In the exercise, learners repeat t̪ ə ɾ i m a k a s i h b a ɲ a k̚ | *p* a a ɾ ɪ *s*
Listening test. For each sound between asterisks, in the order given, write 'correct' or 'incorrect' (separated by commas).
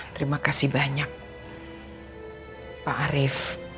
correct, incorrect